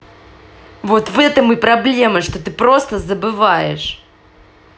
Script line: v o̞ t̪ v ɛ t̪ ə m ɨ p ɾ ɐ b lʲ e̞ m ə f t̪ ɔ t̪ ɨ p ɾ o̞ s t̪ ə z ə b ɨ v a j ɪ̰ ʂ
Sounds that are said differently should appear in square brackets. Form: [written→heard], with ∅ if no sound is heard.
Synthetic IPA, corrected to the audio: v o̞ t̪ v ɛ t̪ ə m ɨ p ɾ ɐ b lʲ e̞ m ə [f→ʂ] t̪ [ɔ→o] t̪ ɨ p ɾ o̞ s t̪ ə z ə b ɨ v a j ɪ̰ ʂ